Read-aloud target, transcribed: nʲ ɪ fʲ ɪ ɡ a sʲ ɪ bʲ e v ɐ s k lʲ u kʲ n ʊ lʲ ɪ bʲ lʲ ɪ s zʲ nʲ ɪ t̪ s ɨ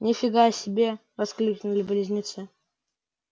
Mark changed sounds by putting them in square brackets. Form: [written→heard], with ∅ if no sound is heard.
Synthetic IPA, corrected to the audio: nʲ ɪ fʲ ɪ ɡ a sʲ ɪ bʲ e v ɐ s k lʲ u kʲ n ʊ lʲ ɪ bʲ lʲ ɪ [s→∅] zʲ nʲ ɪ t̪ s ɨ